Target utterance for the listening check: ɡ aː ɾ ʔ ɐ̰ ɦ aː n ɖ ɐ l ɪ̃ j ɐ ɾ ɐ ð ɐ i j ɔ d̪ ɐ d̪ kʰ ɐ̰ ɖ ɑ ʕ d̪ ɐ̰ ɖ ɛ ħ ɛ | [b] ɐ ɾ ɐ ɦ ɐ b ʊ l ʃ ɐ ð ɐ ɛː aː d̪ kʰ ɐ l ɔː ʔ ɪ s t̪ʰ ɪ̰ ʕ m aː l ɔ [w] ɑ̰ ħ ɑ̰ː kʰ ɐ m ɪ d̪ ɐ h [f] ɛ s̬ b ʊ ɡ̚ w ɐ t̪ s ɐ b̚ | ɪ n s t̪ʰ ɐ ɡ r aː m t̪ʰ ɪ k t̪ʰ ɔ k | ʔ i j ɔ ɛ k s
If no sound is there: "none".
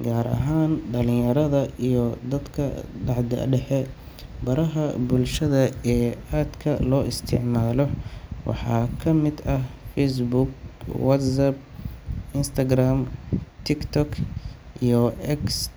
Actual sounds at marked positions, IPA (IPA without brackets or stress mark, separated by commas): b, w, f